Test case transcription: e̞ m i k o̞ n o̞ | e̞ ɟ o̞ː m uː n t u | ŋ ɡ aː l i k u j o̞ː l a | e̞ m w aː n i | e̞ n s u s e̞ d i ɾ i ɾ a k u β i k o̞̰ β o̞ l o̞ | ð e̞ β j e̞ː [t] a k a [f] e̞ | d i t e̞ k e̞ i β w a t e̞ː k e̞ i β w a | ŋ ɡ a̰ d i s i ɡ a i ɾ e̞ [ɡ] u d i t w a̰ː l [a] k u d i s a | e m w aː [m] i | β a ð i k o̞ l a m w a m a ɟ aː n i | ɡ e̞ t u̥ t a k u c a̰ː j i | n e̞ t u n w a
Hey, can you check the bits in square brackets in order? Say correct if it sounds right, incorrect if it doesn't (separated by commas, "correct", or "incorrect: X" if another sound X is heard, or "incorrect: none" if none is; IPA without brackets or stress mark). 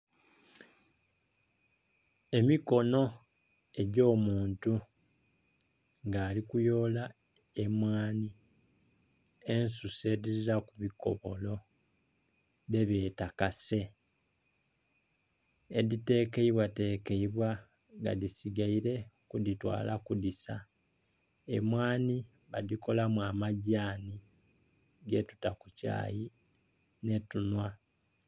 correct, incorrect: s, incorrect: k, correct, incorrect: n